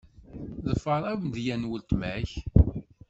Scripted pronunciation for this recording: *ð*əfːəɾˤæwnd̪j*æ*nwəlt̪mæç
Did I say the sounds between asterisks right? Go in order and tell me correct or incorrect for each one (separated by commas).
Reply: correct, correct